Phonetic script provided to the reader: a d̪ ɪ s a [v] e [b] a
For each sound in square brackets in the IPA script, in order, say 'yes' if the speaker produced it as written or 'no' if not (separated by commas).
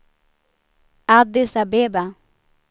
no, yes